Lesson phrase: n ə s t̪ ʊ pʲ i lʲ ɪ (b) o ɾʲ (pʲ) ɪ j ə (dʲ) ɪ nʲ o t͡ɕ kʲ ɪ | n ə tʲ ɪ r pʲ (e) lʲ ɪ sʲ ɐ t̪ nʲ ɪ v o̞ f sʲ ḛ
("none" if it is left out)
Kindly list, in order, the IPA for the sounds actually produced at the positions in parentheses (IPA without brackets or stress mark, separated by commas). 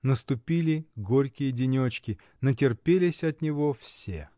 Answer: ɡ, kʲ, dʲ, e